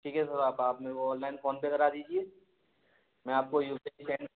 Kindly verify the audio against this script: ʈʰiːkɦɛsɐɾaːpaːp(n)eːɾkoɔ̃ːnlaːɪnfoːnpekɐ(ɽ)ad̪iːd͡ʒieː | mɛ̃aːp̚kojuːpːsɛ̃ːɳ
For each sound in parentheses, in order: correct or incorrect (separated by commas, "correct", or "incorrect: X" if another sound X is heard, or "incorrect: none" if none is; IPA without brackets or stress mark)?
incorrect: m, incorrect: ɾ